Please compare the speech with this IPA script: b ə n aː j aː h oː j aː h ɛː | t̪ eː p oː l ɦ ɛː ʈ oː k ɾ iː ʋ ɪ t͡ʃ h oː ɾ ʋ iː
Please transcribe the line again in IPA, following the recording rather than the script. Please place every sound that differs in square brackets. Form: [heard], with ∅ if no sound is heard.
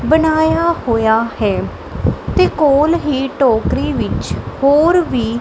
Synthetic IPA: b ə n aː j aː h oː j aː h ɛː | t̪ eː [k] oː l ɦ [iː] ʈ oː k ɾ iː ʋ ɪ t͡ʃ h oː ɾ ʋ iː